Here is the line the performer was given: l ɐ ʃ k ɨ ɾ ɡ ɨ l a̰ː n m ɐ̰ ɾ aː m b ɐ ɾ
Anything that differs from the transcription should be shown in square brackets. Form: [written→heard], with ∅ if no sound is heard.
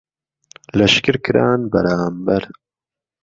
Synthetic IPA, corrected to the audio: l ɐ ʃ k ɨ ɾ [ɡ→k] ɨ [l→ɾ] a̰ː n [m→b] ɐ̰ ɾ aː m b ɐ ɾ